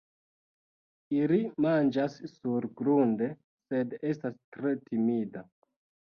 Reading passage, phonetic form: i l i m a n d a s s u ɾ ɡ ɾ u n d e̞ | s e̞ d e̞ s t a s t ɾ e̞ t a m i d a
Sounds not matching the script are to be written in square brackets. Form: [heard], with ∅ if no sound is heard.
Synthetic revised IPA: i l i m a n [d͡ʒ] a s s u ɾ ɡ ɾ u n d e̞ | s e̞ d e̞ s t a s t ɾ e̞ t [i] m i d a